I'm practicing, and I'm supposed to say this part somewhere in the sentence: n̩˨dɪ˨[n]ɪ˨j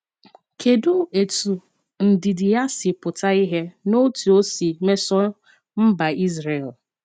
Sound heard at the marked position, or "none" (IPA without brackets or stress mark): d